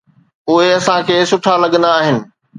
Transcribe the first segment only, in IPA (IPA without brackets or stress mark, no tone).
ʊ